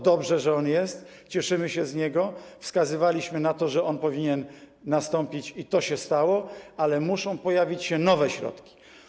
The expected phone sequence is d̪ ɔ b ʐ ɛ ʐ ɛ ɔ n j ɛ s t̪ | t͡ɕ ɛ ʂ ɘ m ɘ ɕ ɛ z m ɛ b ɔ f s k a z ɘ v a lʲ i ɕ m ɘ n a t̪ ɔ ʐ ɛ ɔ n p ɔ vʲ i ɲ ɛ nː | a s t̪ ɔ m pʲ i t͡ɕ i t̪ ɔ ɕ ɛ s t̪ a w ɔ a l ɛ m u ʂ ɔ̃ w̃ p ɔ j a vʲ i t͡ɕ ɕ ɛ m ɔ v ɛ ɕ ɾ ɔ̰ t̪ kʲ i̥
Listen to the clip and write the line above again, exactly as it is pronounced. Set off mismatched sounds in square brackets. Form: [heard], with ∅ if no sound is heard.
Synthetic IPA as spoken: d̪ ɔ b ʐ ɛ ʐ ɛ ɔ n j ɛ s t̪ | t͡ɕ ɛ ʂ ɘ m ɘ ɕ ɛ z [ɲ] ɛ [ɡ] ɔ f s k a z ɘ v a lʲ i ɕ m ɘ n a t̪ ɔ ʐ ɛ ɔ n p ɔ vʲ i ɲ ɛ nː | a s t̪ ɔ m pʲ i t͡ɕ i t̪ ɔ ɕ ɛ s t̪ a w ɔ a l ɛ m u ʂ ɔ̃ w̃ p ɔ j a vʲ i t͡ɕ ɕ ɛ [n] ɔ v ɛ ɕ ɾ ɔ̰ t̪ kʲ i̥